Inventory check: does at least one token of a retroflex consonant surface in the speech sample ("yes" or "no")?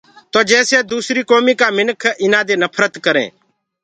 no